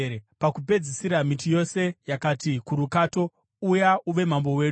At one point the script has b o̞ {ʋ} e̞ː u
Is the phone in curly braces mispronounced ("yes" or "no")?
yes